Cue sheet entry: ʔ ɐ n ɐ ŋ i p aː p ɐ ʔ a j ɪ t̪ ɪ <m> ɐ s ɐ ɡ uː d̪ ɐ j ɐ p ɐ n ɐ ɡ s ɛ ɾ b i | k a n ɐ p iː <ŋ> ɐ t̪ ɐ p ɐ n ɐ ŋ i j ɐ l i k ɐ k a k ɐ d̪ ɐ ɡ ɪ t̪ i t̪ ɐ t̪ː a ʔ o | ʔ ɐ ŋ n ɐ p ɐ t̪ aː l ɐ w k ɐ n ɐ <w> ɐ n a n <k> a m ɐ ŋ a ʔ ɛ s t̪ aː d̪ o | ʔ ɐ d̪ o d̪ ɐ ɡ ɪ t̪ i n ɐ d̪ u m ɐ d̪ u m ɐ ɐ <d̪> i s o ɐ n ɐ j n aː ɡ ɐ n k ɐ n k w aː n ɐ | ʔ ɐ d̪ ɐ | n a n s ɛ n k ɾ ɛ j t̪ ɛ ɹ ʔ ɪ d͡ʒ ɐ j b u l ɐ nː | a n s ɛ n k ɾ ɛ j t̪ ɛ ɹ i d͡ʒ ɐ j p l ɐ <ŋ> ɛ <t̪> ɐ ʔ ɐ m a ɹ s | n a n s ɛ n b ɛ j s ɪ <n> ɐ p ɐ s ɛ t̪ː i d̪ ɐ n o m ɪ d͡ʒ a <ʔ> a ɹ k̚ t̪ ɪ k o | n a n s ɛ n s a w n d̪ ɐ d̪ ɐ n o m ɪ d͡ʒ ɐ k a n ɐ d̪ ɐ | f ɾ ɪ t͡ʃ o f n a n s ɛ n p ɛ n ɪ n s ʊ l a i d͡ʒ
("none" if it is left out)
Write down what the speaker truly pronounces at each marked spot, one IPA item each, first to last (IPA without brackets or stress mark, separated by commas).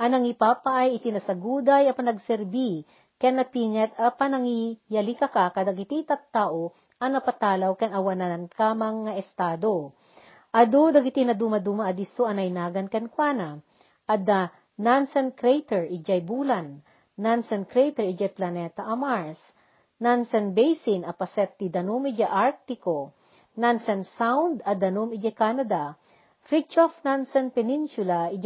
n, ŋ, w, k, d̪, n, t̪, n, ʔ